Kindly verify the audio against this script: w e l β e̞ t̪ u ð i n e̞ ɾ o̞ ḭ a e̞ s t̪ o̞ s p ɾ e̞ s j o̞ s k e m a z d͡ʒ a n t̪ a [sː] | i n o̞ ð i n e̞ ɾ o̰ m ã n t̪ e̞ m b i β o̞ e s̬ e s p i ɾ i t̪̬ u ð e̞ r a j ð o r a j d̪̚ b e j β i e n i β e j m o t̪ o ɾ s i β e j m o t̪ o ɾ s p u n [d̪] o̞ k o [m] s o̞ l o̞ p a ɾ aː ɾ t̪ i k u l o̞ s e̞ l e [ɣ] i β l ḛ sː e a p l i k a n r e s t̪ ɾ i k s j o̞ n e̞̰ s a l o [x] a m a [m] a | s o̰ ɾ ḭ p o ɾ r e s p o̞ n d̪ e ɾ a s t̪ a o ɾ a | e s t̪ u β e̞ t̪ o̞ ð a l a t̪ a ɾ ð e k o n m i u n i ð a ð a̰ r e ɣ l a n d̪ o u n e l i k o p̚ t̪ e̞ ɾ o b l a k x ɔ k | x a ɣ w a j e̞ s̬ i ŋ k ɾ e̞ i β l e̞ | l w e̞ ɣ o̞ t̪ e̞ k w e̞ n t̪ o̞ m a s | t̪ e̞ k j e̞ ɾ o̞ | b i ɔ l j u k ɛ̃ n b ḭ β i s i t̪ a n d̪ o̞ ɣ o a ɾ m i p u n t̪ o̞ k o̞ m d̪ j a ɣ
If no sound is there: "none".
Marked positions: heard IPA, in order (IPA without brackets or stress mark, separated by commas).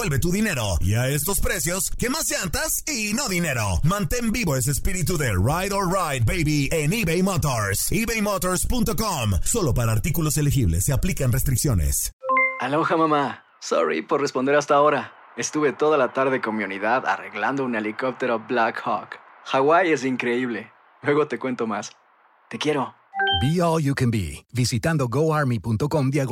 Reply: s, t̪, m, x, x, m